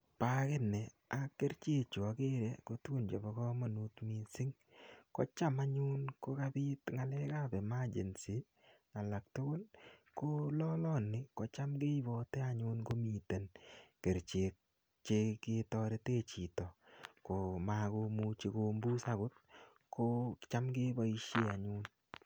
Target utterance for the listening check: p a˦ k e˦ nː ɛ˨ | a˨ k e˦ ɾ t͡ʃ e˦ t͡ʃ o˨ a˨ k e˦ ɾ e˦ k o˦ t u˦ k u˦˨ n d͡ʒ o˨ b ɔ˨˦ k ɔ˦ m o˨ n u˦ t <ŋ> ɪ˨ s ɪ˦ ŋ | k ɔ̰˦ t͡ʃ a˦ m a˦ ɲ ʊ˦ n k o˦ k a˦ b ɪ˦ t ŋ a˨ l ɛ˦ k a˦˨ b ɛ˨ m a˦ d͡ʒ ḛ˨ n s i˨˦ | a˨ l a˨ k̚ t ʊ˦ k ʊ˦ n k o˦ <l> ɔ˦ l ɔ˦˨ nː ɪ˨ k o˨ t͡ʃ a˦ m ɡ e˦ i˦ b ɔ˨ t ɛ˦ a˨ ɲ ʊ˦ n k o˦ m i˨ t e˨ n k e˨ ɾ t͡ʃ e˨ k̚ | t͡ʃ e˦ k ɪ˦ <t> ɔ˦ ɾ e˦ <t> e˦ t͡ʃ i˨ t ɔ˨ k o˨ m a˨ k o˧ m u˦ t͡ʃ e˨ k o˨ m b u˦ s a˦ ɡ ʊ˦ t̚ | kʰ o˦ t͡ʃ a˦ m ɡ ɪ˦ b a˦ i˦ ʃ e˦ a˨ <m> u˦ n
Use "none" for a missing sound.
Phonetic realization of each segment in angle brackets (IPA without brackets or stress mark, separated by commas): m, l, t, t, ɲ